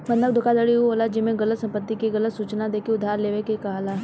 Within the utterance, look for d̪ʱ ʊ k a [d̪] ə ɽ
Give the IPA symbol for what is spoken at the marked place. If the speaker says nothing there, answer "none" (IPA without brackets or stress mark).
d̪